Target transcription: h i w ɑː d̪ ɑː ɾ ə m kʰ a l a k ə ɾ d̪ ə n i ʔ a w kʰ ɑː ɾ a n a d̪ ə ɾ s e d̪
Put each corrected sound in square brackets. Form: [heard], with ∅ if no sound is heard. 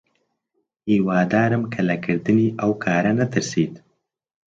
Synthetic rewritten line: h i w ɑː d̪ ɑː ɾ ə m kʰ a l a k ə ɾ d̪ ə n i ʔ a w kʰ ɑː ɾ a n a [t̪] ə ɾ s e d̪